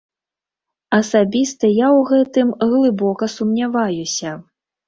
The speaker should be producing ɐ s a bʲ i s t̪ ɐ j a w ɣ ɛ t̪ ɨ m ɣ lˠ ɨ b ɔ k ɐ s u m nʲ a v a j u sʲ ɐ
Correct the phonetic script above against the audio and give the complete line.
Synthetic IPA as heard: ɐ s a bʲ i s t̪ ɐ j a w ɣ ɛ t̪ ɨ m ɣ lˠ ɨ b ɔ k ɐ s u m nʲ a v a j u sʲ ɐ